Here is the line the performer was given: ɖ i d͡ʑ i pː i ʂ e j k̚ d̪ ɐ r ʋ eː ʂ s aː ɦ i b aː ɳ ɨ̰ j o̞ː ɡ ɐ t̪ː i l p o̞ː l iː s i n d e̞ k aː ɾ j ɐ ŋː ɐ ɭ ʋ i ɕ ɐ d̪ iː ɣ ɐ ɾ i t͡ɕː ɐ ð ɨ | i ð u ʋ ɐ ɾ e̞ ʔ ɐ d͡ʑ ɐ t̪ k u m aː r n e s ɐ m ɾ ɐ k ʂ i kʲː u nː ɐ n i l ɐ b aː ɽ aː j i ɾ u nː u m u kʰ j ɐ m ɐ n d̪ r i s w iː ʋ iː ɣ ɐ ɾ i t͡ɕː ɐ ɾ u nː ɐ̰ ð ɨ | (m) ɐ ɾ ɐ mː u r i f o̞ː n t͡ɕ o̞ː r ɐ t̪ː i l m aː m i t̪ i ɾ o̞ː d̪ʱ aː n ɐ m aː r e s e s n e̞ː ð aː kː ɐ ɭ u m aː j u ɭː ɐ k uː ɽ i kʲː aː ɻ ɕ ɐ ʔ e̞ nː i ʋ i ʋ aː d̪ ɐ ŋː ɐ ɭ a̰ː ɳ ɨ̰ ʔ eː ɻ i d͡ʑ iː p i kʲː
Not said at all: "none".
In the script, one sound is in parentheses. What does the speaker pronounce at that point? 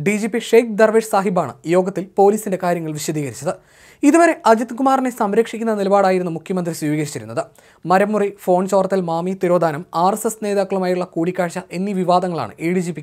m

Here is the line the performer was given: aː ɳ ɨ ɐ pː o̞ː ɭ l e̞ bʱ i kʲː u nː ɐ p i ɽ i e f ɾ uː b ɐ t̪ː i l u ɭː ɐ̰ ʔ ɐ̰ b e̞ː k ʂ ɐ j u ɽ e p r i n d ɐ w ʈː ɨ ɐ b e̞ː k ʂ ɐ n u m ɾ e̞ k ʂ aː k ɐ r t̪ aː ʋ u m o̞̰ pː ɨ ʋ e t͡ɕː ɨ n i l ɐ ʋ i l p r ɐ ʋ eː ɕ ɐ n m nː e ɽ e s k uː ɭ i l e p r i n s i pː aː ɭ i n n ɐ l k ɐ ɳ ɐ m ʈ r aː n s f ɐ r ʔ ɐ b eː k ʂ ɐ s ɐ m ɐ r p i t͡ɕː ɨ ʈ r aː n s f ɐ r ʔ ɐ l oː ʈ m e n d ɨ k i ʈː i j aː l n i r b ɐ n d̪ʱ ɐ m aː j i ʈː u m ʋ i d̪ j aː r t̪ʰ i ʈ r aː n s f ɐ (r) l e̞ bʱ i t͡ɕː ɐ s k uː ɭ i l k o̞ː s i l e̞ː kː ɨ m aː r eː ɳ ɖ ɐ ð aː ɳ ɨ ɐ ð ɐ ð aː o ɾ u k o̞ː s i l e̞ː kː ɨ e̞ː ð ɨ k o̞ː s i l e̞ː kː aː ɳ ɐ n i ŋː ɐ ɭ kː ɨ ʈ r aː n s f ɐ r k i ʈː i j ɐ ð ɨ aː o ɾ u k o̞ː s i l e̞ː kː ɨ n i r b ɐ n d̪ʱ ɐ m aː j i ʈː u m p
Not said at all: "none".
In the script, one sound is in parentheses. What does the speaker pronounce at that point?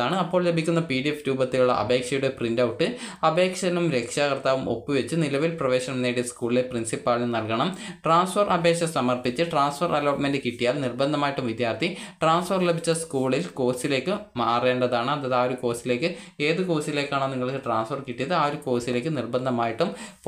r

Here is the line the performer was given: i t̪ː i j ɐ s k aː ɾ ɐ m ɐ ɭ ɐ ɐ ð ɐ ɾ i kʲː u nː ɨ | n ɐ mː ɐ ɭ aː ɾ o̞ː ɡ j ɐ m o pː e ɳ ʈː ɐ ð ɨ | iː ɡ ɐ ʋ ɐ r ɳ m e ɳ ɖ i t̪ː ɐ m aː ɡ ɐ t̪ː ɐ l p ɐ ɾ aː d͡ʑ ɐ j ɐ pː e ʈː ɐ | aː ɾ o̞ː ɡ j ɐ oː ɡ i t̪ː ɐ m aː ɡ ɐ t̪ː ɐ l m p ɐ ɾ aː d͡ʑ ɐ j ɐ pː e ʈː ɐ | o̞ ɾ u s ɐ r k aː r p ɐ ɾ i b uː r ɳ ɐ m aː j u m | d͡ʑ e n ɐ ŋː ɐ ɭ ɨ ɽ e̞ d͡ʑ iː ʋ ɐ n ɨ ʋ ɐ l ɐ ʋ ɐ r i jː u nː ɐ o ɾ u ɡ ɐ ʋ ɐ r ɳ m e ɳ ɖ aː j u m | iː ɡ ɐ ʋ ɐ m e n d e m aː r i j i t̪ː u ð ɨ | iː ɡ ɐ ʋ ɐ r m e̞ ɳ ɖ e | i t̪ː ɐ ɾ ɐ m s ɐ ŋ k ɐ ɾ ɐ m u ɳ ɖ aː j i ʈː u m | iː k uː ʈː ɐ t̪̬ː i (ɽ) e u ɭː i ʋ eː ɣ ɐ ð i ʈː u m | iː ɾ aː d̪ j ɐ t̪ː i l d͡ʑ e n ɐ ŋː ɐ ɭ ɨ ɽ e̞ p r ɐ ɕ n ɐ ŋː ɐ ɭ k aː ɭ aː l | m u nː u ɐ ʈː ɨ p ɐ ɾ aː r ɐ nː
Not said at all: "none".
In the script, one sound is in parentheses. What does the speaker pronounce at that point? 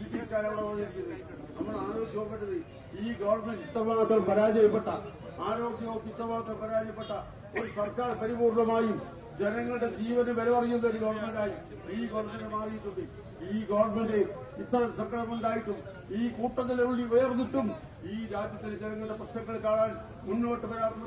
l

